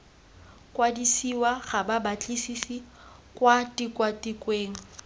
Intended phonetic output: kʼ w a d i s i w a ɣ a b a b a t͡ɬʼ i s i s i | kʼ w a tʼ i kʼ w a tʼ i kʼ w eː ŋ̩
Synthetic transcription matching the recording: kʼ w a d i s i w a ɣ a b a b a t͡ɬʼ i s i s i | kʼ w a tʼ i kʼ w a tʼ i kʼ w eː ŋ̩